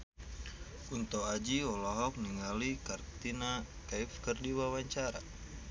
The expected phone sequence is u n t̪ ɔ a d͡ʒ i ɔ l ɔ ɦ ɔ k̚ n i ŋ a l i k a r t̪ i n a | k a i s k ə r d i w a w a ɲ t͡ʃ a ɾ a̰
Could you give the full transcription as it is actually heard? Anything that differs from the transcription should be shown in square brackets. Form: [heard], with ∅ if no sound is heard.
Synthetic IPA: u n t̪ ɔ a d͡ʒ i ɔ l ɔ ɦ ɔ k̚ n i ŋ a l i k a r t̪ i n a | k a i [f] k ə r d i w a w a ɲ t͡ʃ a ɾ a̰